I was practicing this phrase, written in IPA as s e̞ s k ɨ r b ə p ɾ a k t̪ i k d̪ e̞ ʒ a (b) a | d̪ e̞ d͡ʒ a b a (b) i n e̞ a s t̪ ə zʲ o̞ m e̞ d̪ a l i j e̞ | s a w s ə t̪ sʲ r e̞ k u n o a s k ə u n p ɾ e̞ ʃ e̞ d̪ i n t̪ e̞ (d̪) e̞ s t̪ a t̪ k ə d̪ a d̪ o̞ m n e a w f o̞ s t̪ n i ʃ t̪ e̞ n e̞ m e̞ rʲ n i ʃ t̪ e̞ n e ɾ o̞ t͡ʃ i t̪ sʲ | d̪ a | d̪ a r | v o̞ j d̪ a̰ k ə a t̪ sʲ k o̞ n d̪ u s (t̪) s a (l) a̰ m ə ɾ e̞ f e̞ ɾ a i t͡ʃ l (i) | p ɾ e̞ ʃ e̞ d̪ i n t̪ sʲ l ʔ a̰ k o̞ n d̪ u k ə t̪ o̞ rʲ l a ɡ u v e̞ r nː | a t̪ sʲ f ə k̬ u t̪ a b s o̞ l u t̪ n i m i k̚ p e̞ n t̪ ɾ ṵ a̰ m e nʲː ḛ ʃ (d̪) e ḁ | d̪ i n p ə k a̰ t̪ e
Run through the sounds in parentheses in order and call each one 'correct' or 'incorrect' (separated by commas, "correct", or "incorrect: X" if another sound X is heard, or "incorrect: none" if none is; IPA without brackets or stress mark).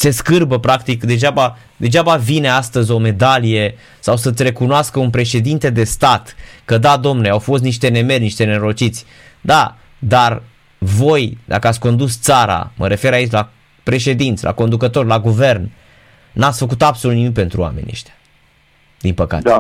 correct, incorrect: v, correct, correct, incorrect: ɾ, incorrect: a, incorrect: t̪